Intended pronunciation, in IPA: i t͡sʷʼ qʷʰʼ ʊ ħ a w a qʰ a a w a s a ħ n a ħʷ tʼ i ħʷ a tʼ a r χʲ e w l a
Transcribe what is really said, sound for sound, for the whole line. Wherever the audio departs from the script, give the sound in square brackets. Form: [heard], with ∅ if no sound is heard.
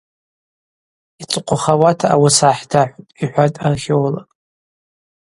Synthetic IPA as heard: i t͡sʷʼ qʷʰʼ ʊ [χ] a w a [tʰ] a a w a s a ħ [d] a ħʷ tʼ i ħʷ a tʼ a r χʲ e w l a